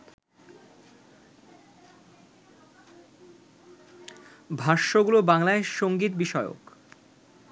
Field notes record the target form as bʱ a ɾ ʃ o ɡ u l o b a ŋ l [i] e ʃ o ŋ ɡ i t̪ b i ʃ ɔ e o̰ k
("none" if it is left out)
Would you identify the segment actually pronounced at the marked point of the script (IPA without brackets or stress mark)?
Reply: a